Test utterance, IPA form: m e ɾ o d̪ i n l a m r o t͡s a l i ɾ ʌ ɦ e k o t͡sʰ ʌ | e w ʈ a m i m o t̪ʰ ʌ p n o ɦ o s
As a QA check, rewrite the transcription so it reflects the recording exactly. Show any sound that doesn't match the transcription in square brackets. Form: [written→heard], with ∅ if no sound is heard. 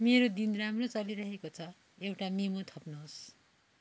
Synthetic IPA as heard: m e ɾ o d̪ i n [l→r] a m r o t͡s [a→ʌ] l i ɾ ʌ ɦ e k o t͡sʰ ʌ | e w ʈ a m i m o t̪ʰ ʌ p n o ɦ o s